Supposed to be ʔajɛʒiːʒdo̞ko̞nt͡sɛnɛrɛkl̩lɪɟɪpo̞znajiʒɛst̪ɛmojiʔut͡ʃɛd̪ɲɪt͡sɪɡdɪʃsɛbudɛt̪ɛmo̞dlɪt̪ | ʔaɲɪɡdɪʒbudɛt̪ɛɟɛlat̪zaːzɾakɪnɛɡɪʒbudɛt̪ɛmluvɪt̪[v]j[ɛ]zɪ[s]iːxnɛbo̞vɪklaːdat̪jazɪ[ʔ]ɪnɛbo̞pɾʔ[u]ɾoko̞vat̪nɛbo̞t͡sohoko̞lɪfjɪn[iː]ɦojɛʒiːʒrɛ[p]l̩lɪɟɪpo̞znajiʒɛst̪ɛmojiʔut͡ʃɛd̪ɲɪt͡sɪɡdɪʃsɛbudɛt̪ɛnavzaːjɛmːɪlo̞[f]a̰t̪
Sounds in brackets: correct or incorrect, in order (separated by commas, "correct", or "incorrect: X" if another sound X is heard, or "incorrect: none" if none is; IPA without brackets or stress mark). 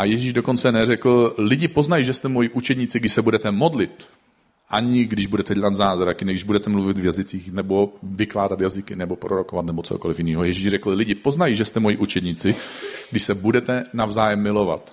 correct, incorrect: a, incorrect: t͡s, incorrect: k, incorrect: o, correct, incorrect: k, incorrect: v